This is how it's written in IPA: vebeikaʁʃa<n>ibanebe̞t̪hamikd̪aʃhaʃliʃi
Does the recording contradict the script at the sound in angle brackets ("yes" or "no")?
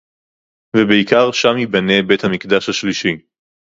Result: yes